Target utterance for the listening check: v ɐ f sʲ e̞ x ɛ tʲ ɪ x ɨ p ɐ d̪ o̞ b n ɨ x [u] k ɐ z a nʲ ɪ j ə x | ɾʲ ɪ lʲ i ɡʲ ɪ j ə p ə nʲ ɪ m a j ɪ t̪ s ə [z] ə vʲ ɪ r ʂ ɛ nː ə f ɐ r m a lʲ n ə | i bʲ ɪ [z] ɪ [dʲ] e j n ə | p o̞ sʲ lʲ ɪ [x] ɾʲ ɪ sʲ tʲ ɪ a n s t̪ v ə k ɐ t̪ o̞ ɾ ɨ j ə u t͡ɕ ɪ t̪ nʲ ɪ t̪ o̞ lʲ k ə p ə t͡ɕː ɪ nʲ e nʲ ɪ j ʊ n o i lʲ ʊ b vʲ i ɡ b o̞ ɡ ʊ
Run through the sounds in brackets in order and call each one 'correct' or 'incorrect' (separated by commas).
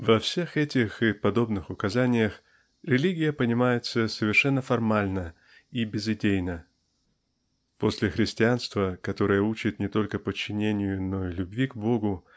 incorrect, incorrect, correct, correct, correct